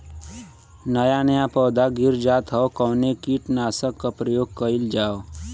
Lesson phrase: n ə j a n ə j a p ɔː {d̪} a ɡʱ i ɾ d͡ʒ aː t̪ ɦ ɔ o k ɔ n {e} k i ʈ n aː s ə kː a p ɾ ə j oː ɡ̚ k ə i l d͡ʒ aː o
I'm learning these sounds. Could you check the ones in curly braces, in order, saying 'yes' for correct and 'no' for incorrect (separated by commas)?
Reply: yes, yes